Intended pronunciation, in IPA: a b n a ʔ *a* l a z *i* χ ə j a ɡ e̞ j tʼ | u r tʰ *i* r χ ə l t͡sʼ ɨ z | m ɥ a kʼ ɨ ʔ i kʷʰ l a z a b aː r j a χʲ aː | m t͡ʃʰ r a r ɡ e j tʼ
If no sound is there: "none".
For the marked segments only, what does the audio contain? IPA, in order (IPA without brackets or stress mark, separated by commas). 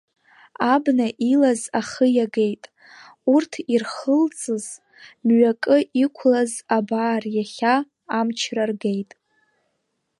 i, a, i